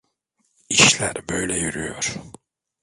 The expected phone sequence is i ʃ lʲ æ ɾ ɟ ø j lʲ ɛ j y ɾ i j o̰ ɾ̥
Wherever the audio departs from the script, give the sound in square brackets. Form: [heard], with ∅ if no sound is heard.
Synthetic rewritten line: i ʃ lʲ æ ɾ [b] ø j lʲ ɛ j y ɾ [y] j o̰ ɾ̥